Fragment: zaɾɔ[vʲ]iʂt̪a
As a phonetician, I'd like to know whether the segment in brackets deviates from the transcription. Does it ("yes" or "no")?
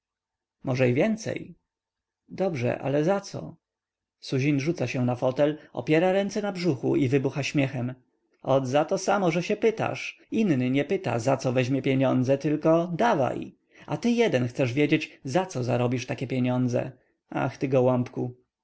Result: yes